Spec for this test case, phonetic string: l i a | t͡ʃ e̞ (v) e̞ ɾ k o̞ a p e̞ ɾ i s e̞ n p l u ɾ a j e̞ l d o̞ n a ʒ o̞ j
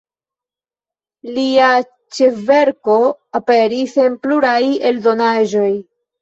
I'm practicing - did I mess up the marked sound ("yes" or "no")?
no